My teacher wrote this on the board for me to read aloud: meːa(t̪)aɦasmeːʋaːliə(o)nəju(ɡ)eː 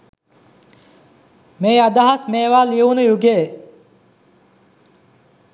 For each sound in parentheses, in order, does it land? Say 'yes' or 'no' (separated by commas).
no, no, yes